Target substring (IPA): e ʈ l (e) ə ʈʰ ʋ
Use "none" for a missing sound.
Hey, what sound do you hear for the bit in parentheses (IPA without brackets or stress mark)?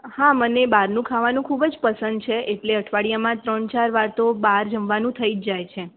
e